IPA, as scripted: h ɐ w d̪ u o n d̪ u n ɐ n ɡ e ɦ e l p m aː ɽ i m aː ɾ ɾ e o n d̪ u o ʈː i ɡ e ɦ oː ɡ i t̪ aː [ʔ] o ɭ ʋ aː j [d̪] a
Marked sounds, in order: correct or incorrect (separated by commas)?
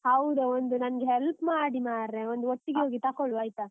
incorrect, incorrect